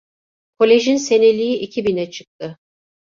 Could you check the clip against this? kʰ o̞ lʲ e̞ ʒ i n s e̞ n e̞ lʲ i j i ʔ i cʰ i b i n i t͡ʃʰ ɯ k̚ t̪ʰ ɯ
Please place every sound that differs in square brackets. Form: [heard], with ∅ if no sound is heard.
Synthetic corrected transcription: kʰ o̞ lʲ e̞ ʒ i n s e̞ n e̞ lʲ i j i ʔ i cʰ i b i n [ɛ] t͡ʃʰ ɯ k̚ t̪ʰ ɯ

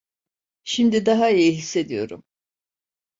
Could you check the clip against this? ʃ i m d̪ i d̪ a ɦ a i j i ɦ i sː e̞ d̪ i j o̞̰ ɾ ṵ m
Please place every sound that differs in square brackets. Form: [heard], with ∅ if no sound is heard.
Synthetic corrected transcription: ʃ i m d̪ i d̪ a ɦ a i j i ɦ i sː e̞ d̪ i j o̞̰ ɾ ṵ m

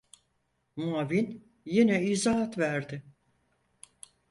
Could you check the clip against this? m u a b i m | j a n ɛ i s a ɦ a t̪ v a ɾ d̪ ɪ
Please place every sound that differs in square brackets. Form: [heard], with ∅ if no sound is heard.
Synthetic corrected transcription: m u a [v] i [n] | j [i] n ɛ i [z] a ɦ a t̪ v [æ] ɾ d̪ ɪ

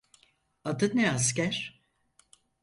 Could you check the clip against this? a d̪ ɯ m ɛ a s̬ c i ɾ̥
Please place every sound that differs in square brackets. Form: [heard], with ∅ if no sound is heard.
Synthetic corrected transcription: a d̪ ɯ [n] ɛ a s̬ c [æ] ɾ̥

